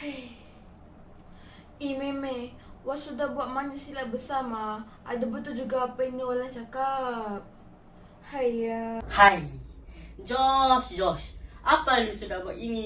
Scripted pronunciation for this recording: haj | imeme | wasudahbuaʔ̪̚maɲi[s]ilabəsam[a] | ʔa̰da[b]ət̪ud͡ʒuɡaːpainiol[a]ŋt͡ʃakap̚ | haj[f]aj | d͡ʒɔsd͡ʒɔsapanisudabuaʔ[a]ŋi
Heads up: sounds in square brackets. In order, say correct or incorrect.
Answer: correct, correct, correct, correct, incorrect: h, incorrect: i

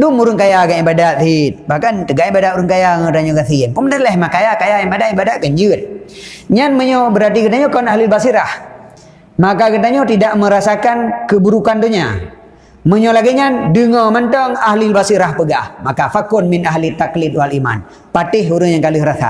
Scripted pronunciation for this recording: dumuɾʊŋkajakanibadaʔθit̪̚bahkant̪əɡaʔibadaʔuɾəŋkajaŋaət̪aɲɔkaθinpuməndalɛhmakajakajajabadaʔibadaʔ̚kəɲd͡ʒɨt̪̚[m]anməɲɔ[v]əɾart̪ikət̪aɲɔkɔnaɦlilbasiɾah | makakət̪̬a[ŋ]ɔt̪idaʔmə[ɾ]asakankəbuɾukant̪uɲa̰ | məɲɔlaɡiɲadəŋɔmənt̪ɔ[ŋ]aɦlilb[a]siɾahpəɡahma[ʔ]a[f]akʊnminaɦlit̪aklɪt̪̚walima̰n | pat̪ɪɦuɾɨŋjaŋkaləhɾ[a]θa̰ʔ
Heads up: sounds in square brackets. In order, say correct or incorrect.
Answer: incorrect: ɲ, incorrect: b, incorrect: ɲ, correct, correct, correct, incorrect: k, correct, correct

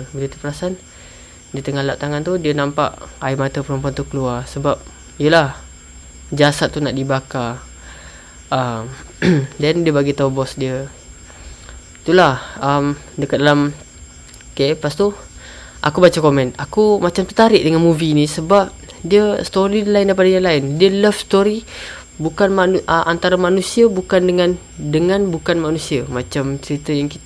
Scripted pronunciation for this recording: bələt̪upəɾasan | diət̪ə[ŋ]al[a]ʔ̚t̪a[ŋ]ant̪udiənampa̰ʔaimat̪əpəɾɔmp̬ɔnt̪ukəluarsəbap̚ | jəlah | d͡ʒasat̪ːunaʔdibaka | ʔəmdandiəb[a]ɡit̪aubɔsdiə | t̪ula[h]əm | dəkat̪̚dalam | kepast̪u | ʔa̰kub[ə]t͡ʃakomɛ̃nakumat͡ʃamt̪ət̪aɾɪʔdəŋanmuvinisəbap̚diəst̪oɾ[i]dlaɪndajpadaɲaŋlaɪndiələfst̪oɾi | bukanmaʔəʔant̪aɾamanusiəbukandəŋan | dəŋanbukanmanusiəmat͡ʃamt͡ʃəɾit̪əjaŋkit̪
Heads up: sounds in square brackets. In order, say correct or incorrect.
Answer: correct, correct, correct, correct, correct, incorrect: a, correct

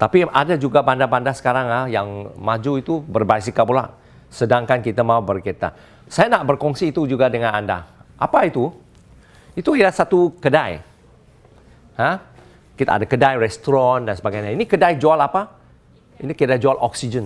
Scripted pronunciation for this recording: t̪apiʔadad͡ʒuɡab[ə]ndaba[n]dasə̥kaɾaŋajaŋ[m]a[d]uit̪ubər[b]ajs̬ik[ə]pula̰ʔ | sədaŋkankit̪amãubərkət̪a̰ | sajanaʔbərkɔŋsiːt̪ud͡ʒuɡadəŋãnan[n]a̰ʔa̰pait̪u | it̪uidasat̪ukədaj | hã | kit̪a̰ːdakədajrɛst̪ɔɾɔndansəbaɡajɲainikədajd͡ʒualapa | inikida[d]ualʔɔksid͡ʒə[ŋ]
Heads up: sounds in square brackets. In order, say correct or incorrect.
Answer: incorrect: a, correct, correct, incorrect: d͡ʒ, correct, incorrect: a, incorrect: d, incorrect: d͡ʒ, incorrect: n

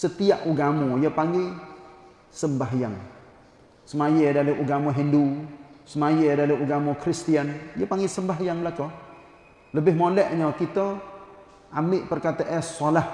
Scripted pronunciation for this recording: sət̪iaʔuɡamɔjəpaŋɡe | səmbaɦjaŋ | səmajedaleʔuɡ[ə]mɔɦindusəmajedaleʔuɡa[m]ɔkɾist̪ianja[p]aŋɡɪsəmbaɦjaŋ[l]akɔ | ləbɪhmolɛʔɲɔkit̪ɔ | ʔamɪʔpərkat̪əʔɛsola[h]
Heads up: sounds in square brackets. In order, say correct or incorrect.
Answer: incorrect: a, correct, correct, correct, correct

